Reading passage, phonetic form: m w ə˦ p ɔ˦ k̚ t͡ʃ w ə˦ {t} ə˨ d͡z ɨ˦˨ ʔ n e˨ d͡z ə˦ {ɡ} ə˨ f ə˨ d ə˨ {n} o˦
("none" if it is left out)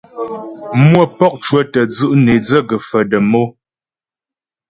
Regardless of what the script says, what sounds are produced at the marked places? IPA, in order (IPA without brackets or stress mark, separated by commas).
t, ɡ, m